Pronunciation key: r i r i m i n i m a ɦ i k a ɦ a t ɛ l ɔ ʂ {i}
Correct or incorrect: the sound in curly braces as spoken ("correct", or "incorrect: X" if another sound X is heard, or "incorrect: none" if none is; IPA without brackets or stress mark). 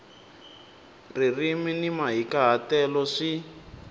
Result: correct